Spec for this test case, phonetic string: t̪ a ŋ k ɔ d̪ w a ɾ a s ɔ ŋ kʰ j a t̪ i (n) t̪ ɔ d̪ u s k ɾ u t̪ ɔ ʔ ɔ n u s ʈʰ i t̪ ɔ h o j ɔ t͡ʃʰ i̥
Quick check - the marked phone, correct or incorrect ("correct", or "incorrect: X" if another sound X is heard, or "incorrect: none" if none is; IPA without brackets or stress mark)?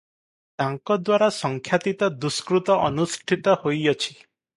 incorrect: none